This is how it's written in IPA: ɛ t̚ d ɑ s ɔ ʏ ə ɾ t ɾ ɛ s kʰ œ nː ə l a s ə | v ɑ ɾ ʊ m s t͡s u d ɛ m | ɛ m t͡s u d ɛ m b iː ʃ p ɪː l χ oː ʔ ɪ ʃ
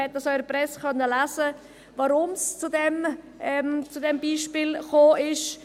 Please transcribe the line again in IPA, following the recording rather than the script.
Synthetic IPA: ɛ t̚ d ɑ s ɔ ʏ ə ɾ p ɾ ɛ s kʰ œ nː ə l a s ə | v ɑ ɾ ʊ m s t͡s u d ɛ m | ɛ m t͡s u d ɛ m b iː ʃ p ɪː l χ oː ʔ ɪ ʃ